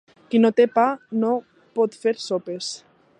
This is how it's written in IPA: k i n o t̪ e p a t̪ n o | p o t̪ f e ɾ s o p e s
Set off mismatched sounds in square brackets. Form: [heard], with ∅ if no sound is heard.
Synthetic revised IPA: k i n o t̪ e p a [∅] n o | p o t̪ f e ɾ s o p e s